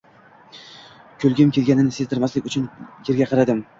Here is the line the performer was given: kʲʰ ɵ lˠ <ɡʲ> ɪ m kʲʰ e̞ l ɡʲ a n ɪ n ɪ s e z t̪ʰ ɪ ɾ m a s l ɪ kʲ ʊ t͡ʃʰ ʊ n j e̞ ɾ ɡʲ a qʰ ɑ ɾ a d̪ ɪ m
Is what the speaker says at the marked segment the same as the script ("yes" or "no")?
yes